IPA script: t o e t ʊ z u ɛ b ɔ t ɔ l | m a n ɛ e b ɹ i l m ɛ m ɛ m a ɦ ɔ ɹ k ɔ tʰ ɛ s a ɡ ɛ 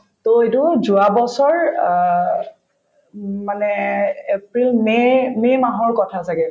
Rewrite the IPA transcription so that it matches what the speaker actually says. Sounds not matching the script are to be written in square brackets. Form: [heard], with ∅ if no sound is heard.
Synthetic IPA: t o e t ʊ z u [a] b ɔ [s] ɔ [ɹ] | m a n ɛ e [p] ɹ i l m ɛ m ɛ m a ɦ ɔ ɹ k ɔ tʰ [a] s a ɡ ɛ

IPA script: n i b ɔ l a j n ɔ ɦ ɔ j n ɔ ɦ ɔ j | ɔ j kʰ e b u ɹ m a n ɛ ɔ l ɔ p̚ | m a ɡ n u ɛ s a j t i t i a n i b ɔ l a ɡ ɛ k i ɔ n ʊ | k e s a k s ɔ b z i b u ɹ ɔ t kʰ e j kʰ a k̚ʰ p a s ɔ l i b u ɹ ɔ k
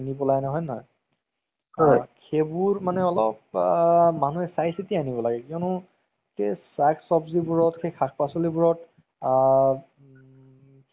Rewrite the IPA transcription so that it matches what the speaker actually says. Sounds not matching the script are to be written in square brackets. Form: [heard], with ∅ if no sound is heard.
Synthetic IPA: n i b ɔ l a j n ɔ ɦ ɔ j n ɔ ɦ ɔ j | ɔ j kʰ e b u ɹ m a n ɛ ɔ l ɔ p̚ | m a [∅] n u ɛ s a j [s] i t i a n i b ɔ l a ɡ ɛ k i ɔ n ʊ | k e s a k s ɔ b z i b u ɹ ɔ t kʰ e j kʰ a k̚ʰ p a s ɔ l i b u ɹ ɔ [t]

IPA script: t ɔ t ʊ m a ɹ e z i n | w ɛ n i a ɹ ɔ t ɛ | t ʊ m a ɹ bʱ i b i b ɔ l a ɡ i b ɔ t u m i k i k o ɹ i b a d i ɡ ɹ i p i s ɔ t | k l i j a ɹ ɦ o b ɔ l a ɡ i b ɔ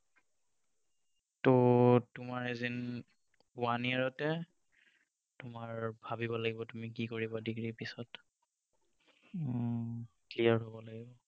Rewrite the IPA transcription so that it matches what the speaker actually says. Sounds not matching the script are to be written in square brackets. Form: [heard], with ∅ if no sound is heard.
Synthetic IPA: t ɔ t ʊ m a ɹ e z i n | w [a] n i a ɹ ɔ t ɛ | t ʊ m a ɹ bʱ [a] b i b ɔ l a ɡ i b ɔ t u m i k i k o ɹ i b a d i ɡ ɹ i p i s ɔ t | k l i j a ɹ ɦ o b ɔ l a ɡ i b ɔ

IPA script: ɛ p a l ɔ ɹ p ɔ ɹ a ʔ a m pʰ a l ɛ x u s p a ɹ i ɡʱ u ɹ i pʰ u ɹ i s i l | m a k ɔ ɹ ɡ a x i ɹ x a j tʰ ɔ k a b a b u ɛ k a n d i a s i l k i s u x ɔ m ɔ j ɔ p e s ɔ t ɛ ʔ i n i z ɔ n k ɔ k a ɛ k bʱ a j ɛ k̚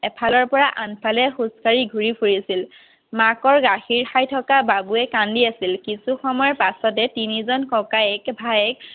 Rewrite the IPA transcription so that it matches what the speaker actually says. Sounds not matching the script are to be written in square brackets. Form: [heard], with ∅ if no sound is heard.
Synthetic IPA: ɛ [pʰ] a l ɔ ɹ p ɔ ɹ a ʔ a [n] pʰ a l ɛ x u s [k] a ɹ i ɡʱ u ɹ i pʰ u ɹ i s i l | m a k ɔ ɹ ɡ a x i ɹ x a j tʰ ɔ k a b a b u ɛ k a n d i a s i l k i s u x ɔ m ɔ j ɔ p [a] s ɔ t ɛ [t] i n i z ɔ n k ɔ k a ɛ k bʱ a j ɛ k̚

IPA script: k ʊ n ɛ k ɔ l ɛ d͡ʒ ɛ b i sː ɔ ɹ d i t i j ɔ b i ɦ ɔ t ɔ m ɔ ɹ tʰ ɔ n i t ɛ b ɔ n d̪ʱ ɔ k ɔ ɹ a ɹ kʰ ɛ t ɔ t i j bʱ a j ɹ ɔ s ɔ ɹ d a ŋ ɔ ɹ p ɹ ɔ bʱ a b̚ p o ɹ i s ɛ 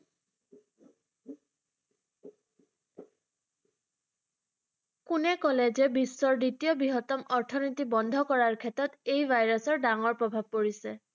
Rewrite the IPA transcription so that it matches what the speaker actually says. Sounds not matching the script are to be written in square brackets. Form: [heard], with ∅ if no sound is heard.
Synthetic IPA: k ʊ n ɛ k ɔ l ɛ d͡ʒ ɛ b i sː ɔ ɹ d i t i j ɔ b i ɦ ɔ t ɔ m ɔ ɹ tʰ ɔ n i t [i] b ɔ n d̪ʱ ɔ k ɔ ɹ a ɹ kʰ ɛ t ɔ t [e] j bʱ a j ɹ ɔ s ɔ ɹ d a ŋ ɔ ɹ p ɹ ɔ bʱ a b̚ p o ɹ i s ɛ

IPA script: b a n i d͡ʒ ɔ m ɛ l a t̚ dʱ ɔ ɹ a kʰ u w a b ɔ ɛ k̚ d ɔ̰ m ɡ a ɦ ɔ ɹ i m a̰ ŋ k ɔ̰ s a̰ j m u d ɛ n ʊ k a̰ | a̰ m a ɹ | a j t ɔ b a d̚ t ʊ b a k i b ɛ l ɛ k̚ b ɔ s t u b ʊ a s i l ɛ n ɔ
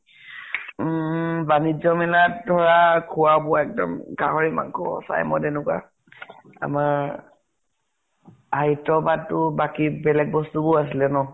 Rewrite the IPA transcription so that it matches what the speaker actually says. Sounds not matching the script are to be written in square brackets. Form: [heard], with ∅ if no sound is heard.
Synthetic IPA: b a n i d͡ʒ ɔ m ɛ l a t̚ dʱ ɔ ɹ a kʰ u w a b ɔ ɛ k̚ d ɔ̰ m ɡ a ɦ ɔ ɹ i m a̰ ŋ k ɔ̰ s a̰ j m [ɔ] d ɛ n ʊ k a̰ | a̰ m a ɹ | a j t ɔ b a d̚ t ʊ b a k i b ɛ l ɛ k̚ b ɔ s t u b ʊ a s i l ɛ n ɔ

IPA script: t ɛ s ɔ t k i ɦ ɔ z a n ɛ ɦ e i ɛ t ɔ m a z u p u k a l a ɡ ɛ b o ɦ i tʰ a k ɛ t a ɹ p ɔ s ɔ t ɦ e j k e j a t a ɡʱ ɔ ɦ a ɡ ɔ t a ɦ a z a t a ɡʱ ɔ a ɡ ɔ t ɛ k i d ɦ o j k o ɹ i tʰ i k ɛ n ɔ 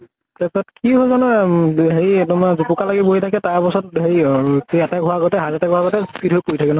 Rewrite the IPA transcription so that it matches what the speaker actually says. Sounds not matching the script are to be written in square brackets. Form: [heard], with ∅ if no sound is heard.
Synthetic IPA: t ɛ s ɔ t k i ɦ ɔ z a n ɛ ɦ e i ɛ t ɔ m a z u p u k a l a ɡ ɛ b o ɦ i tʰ a k ɛ t a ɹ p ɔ s ɔ t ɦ e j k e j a t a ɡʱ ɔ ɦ a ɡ ɔ t [ɛ] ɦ a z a t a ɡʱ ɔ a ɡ ɔ t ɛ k i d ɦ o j k o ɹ i tʰ [a] k ɛ n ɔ

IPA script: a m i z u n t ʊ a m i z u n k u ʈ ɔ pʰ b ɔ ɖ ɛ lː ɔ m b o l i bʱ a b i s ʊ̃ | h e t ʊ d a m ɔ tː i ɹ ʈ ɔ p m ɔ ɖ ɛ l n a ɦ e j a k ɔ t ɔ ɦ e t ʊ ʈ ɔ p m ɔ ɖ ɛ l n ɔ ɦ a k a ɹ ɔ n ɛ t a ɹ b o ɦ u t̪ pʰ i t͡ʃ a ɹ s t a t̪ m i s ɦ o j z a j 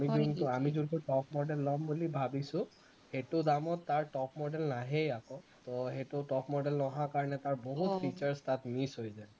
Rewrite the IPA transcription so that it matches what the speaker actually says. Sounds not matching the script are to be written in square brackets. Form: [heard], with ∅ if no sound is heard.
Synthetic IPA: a m i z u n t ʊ a m i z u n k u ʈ ɔ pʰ [m] ɔ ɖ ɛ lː ɔ m b [u] l i bʱ a b i s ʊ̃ | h e t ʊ d a m ɔ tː [a] ɹ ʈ ɔ p m ɔ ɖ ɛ l n a ɦ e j a k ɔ t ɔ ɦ e t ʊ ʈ ɔ p m ɔ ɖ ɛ l n ɔ ɦ a k a ɹ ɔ n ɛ t a ɹ b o ɦ u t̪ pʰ i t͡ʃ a ɹ s t a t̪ m i s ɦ o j z a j

